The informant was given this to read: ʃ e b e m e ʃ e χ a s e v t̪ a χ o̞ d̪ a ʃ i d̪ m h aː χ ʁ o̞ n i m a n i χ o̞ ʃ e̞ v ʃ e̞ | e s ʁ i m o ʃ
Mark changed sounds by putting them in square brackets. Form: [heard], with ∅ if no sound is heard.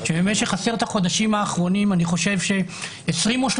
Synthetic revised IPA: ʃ e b e m e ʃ e χ a s e [ʁ] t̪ a χ o̞ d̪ a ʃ i [∅] m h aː χ ʁ o̞ n i m a n i χ o̞ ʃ e̞ v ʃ e̞ | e s ʁ i m o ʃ